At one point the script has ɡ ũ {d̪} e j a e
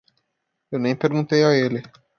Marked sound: incorrect: t̪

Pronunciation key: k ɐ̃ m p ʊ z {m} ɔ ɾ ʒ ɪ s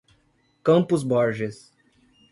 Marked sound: incorrect: b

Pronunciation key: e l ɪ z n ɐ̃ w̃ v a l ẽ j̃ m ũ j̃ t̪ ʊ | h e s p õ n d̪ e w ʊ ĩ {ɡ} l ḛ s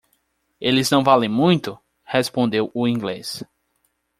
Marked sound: correct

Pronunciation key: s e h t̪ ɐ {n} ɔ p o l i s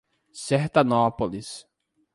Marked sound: correct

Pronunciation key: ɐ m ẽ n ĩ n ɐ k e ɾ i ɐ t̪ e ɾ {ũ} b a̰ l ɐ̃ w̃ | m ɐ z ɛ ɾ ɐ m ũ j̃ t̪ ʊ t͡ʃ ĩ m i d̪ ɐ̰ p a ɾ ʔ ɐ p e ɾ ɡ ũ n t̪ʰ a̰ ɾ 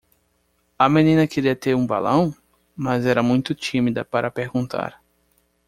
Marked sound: correct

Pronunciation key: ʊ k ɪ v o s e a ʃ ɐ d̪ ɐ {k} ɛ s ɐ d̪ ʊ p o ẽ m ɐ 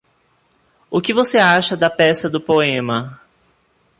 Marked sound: incorrect: p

